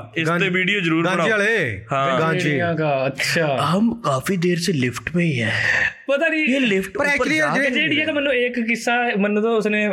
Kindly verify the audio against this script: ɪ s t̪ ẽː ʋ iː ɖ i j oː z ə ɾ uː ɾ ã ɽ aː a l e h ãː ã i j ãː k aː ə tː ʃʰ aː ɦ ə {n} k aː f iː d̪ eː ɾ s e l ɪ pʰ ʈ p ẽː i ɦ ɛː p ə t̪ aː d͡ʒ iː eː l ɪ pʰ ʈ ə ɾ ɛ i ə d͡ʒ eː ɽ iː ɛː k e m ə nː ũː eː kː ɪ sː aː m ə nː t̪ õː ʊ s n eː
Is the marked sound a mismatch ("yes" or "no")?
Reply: yes